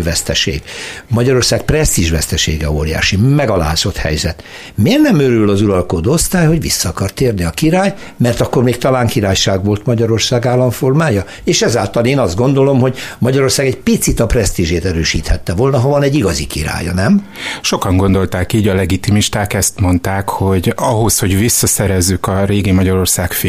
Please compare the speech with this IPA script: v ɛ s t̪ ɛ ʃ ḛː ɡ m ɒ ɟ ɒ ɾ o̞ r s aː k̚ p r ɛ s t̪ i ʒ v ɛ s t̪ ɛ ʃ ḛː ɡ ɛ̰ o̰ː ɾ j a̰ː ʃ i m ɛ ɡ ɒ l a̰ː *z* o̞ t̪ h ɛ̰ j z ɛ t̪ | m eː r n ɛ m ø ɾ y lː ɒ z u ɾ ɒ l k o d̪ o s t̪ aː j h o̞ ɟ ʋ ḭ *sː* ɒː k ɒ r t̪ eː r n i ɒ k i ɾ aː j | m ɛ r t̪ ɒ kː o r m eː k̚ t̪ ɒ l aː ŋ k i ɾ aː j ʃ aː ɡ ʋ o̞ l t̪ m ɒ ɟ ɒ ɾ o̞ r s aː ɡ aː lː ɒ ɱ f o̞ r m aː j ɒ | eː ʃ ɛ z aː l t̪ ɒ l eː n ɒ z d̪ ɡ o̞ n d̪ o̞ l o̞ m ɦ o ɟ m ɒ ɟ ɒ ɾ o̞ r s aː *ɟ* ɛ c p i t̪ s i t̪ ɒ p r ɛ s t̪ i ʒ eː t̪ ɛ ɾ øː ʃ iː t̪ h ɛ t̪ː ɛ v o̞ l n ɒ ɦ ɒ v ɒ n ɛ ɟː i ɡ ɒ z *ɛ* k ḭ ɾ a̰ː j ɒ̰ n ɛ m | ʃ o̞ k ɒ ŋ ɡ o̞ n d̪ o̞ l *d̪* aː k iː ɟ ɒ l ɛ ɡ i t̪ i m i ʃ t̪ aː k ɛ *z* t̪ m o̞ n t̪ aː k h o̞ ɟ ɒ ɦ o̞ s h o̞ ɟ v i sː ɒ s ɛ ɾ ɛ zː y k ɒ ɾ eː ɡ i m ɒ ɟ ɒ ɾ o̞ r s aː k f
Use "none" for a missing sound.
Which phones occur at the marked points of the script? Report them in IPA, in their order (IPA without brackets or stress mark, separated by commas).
z, sː, ɡ, i, t̪, s